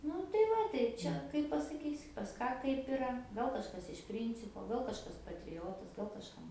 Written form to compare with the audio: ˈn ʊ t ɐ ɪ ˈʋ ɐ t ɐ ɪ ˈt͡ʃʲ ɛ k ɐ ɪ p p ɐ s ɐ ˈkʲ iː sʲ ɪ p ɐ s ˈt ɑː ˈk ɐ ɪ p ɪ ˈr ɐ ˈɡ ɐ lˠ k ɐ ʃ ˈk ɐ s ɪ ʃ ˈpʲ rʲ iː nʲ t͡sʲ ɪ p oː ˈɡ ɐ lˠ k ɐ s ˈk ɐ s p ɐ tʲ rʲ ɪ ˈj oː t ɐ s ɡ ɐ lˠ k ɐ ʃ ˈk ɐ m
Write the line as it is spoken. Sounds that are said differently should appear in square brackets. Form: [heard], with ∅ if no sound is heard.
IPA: ˈn ʊ t ɐ ɪ ˈʋ ɐ t ɐ ɪ ˈt͡ʃʲ ɛ k ɐ ɪ p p ɐ s ɐ ˈkʲ iː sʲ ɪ p ɐ s [ˈk] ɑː ˈk ɐ ɪ p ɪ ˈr ɐ ˈɡ ɐ lˠ k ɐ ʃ ˈk ɐ s ɪ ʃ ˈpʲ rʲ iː nʲ t͡sʲ ɪ p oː ˈɡ ɐ lˠ k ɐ [ʃ] ˈk ɐ s p ɐ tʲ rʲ ɪ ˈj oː t ɐ s ɡ ɐ lˠ k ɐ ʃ ˈk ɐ m